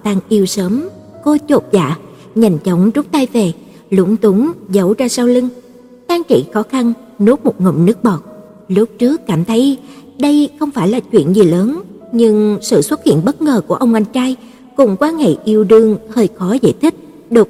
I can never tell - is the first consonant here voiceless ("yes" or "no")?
yes